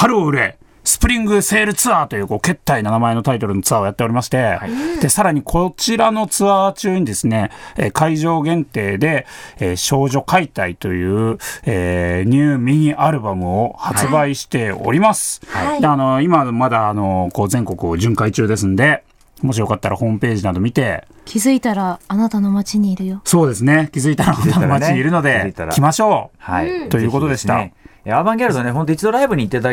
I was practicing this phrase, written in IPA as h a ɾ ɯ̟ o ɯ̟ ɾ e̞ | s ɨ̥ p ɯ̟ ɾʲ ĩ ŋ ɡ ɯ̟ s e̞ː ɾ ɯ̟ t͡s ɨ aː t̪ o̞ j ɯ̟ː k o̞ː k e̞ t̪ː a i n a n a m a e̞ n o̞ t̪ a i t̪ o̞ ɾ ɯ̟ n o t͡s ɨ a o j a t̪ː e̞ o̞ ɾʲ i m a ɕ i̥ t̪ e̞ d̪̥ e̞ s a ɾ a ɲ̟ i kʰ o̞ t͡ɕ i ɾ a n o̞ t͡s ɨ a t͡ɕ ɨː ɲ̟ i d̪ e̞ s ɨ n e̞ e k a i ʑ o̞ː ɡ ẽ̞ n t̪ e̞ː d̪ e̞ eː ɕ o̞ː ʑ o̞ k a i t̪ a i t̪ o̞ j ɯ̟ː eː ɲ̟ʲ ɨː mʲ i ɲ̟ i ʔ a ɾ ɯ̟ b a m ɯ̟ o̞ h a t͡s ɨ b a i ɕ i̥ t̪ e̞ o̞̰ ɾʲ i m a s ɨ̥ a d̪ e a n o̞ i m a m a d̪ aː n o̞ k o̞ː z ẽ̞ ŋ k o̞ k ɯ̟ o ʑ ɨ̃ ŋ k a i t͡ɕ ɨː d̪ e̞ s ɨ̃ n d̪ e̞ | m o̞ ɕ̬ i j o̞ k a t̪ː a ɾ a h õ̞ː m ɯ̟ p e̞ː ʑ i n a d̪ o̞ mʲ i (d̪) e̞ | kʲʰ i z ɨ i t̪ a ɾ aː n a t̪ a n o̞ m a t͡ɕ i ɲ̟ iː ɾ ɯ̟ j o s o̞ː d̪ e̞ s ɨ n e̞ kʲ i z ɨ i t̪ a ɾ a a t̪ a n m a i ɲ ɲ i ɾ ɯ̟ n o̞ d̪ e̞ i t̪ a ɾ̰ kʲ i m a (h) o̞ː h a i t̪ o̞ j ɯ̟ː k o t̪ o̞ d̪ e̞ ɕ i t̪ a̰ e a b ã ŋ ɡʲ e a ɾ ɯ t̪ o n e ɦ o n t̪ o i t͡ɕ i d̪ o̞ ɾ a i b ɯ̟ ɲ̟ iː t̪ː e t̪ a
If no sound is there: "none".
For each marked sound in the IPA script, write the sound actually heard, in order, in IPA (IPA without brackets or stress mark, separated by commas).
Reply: t̪, ɕ